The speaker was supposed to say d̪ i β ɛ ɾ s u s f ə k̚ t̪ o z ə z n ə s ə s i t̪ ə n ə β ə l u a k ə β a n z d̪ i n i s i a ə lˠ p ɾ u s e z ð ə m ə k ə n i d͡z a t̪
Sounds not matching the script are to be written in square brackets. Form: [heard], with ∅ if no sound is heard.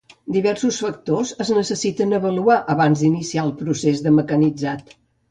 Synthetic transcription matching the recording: d̪ i β ɛ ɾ s u s f ə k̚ t̪ o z ə z n ə s ə s i t̪ ə n ə β ə l u a [ʔ] ə β a n z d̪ i n i s i a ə lˠ p ɾ u s e z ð ə m ə k ə n i d͡z a t̪